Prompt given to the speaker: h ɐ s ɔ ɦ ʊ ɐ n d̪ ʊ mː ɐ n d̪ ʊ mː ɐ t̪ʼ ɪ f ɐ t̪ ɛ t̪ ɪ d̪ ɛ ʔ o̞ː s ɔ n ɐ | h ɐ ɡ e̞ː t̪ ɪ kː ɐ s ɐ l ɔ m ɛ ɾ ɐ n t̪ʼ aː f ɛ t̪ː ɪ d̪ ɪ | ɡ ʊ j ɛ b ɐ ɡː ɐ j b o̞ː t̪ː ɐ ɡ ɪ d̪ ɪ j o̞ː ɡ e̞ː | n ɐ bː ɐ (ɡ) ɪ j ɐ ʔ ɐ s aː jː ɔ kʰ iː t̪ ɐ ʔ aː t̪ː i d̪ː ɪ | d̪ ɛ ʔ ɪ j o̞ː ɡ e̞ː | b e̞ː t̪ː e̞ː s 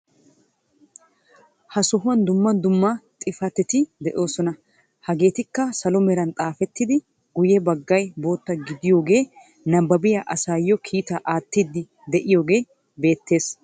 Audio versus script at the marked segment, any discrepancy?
yes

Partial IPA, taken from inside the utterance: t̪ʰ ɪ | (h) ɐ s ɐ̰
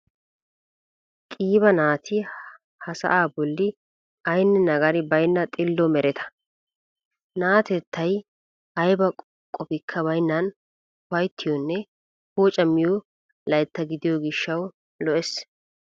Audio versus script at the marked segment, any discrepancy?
no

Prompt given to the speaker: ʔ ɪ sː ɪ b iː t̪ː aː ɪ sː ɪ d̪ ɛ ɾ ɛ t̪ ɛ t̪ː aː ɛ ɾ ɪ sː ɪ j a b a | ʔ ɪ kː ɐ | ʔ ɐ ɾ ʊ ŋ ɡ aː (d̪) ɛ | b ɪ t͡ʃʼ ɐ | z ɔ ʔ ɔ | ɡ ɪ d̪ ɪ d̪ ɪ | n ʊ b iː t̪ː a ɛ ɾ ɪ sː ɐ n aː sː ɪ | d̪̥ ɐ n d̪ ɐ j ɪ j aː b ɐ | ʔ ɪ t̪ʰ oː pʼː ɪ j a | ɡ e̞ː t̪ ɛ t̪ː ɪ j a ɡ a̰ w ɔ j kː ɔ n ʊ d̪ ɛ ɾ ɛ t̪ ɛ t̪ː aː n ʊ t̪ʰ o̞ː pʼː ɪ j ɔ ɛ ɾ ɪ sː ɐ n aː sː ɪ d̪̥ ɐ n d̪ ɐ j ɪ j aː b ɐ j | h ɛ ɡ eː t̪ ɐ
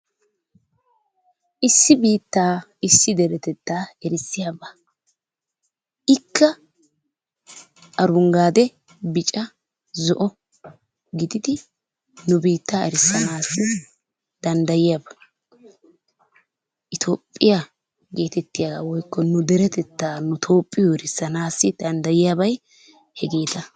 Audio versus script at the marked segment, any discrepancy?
no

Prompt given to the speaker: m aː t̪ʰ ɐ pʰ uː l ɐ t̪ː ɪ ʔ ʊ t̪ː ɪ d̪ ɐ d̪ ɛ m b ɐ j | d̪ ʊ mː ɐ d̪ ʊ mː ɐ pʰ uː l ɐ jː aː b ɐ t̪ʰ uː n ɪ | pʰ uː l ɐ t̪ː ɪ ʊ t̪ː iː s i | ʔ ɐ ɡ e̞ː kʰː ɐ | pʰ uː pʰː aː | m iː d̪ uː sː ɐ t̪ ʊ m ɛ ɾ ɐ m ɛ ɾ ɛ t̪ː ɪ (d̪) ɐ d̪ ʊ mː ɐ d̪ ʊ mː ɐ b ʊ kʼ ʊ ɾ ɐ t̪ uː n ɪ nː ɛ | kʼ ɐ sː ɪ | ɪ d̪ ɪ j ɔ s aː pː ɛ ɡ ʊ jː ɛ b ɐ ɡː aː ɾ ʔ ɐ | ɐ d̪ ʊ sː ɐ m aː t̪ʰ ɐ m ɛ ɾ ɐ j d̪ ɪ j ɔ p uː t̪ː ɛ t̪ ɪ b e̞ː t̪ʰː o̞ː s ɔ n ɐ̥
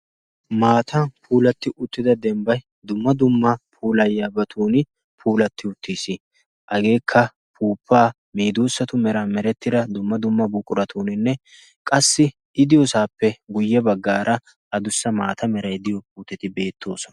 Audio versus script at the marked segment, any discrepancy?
no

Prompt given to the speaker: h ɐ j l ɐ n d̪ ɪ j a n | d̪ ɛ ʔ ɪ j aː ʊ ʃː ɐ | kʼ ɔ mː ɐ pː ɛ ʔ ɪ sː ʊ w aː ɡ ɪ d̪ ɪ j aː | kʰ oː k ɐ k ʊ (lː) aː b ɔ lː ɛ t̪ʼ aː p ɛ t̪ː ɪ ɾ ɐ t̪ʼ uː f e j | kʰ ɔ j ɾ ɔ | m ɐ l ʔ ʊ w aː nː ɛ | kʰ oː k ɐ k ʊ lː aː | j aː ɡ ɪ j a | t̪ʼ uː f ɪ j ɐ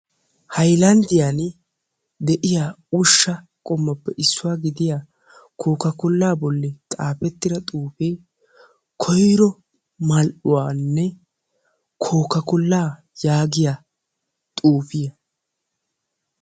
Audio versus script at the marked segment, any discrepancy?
no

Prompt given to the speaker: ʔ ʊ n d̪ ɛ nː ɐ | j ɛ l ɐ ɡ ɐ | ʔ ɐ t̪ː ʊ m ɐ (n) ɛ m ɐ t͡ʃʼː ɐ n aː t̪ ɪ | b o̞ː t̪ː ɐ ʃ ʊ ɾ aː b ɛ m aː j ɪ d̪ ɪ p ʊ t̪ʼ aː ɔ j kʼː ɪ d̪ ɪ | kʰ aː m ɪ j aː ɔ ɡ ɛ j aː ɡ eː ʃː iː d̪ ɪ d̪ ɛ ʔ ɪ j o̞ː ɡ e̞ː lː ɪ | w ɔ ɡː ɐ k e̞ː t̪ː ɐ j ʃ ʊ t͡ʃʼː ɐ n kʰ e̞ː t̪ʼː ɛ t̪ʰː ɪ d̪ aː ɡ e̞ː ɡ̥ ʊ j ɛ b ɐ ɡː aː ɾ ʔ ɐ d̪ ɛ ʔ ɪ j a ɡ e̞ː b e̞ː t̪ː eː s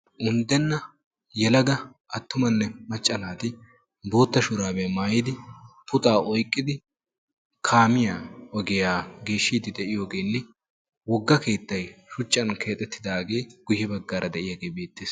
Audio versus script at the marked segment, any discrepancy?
yes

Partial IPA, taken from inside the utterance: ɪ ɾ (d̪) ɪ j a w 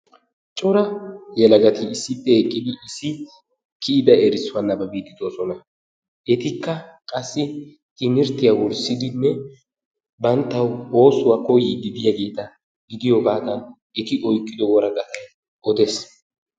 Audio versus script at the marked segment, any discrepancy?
yes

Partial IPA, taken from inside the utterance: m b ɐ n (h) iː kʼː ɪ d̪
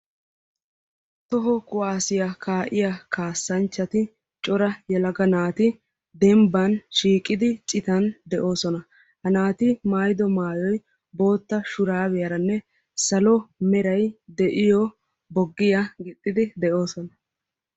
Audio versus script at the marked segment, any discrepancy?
yes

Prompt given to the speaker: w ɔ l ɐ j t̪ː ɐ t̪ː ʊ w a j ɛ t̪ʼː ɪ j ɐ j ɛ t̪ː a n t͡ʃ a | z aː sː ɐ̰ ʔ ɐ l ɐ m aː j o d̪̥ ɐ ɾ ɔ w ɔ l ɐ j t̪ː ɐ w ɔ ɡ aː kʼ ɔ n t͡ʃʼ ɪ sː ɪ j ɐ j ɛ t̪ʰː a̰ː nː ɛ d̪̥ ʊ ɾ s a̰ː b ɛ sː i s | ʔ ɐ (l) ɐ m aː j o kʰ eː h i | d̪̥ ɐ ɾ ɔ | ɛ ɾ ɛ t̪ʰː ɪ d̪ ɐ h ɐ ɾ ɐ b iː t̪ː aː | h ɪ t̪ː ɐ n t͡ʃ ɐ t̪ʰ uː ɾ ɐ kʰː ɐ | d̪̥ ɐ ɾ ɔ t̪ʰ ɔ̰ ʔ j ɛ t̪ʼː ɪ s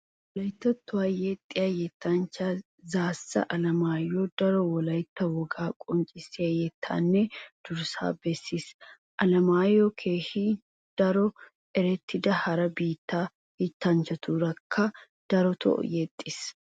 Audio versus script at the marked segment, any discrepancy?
no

